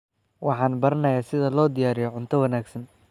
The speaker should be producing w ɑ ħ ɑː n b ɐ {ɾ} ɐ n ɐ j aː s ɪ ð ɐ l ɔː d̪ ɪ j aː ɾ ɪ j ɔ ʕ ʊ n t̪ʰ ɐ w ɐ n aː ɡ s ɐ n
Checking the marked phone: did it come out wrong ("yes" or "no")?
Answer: no